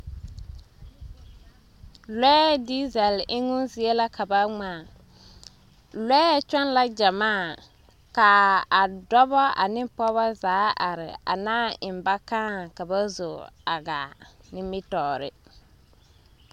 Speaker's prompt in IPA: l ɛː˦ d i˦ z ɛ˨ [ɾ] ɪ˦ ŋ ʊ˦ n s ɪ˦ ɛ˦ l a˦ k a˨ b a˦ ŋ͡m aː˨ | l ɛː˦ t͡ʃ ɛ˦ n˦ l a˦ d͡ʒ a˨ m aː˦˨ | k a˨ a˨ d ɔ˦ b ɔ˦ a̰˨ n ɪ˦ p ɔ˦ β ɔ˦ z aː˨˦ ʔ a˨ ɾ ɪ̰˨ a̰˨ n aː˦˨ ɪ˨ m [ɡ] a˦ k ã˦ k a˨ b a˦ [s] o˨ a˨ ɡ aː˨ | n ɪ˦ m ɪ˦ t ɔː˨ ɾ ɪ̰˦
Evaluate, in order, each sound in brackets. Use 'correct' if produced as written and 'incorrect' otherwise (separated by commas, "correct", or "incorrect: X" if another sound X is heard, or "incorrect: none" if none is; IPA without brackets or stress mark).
incorrect: l, incorrect: b, incorrect: z